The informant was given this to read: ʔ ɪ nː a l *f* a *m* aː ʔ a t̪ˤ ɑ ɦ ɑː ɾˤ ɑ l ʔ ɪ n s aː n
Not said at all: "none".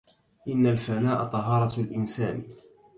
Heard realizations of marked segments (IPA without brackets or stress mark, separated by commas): f, n